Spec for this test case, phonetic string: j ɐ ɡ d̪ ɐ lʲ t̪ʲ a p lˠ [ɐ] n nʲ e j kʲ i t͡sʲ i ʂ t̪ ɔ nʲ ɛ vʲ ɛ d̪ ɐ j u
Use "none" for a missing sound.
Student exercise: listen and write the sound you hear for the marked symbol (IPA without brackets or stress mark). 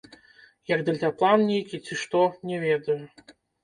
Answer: a